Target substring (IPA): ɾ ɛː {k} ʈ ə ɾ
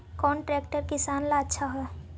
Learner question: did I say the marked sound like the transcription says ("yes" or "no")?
yes